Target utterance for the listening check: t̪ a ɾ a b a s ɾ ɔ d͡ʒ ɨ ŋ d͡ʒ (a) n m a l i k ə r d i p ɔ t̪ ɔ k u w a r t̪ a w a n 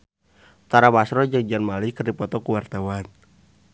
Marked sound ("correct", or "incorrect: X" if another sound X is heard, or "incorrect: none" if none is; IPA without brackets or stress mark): correct